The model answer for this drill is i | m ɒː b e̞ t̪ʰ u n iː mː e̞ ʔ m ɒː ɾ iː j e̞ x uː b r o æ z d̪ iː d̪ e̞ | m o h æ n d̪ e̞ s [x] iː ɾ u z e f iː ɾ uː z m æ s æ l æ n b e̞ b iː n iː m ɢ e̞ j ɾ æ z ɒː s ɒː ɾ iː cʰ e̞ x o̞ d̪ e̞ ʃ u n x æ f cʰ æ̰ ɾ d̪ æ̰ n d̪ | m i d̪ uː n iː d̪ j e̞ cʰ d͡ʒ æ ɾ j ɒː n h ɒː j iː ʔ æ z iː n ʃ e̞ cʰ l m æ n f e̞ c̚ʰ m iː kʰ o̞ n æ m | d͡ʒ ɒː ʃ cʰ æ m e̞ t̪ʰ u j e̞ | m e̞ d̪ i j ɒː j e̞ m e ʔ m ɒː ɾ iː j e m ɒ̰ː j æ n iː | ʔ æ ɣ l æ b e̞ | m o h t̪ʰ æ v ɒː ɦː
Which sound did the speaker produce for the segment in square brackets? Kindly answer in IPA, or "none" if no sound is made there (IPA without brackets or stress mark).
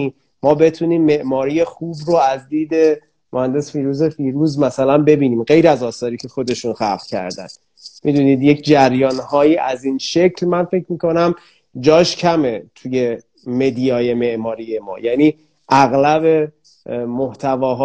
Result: f